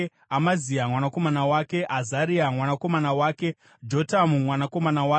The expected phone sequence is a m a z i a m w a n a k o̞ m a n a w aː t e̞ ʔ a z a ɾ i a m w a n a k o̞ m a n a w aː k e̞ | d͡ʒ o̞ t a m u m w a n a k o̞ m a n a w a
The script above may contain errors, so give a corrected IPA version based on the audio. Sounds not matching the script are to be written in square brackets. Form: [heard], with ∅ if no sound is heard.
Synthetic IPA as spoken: a m a z i a m w a n a k o̞ m a n a w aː [k] e̞ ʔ a z a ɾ i a m w a n a k o̞ m a n a w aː k e̞ | d͡ʒ o̞ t a m u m w a n a k o̞ m a n a w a